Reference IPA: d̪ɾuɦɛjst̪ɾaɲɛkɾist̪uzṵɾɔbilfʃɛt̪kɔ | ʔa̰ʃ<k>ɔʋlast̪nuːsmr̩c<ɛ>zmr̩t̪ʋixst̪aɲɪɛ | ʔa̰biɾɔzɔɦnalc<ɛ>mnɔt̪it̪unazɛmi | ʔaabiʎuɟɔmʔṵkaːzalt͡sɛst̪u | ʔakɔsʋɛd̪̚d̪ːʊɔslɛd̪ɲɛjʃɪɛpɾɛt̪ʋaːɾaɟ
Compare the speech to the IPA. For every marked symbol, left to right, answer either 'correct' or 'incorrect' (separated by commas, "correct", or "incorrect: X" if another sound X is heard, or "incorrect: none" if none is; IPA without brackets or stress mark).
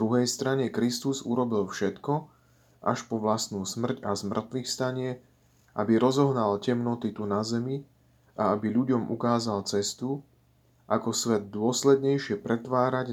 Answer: incorrect: p, incorrect: a, correct